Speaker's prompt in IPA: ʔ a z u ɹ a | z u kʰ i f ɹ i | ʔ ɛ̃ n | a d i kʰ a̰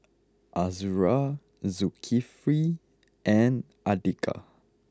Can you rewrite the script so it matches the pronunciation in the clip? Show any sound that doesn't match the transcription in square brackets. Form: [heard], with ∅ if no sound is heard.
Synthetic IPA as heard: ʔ a z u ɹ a | z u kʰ i f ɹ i | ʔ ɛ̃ n | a d i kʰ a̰